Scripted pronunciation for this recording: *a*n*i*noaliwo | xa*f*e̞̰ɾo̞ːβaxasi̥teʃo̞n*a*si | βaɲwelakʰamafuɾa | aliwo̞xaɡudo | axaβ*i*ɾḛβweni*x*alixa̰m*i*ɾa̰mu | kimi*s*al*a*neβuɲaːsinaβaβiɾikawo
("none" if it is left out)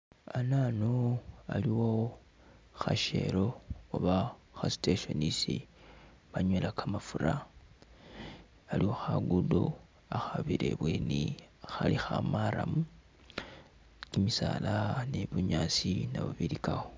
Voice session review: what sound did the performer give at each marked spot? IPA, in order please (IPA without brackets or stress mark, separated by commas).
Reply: a, a, ʃ, i, i, x, a, s, a